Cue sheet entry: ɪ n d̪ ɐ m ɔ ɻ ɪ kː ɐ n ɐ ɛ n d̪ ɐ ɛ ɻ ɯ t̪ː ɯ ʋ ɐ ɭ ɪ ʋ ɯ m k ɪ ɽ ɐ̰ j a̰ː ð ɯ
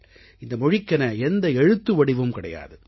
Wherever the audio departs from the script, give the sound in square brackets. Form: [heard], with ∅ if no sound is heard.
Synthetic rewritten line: ɪ n d̪ ɐ m ɔ ɻ ɪ kː ɐ n ɐ ɛ n d̪ ɐ ɛ ɻ ɯ t̪ː ɯ ʋ ɐ [ɽ] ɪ ʋ ɯ m k ɪ ɽ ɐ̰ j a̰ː ð ɯ

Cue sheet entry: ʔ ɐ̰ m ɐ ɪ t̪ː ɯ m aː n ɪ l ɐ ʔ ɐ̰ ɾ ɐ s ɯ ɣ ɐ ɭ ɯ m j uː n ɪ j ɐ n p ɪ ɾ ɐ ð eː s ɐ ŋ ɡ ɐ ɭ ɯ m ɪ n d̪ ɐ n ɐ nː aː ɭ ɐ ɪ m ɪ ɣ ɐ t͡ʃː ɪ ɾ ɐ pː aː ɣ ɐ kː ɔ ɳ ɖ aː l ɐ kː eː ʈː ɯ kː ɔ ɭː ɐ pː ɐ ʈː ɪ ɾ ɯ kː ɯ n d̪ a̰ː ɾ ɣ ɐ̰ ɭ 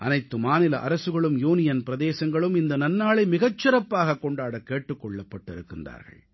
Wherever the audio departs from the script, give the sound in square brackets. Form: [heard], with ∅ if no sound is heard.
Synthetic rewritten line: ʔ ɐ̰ [n] ɐ ɪ t̪ː ɯ m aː n ɪ l ɐ ʔ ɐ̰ ɾ ɐ s ɯ ɣ ɐ ɭ ɯ m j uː n ɪ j ɐ n p ɪ ɾ ɐ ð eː s ɐ ŋ ɡ ɐ ɭ ɯ m ɪ n d̪ ɐ n ɐ nː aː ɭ ɐ ɪ m ɪ ɣ ɐ t͡ʃː ɪ ɾ ɐ pː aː ɣ ɐ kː ɔ ɳ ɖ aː [ɽ] ɐ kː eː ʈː ɯ kː ɔ ɭː ɐ pː ɐ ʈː ɪ ɾ ɯ kː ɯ n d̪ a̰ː ɾ ɣ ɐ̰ ɭ

